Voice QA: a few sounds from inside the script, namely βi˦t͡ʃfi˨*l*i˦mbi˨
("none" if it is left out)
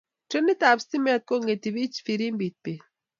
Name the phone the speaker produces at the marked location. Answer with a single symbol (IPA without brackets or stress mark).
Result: ɾ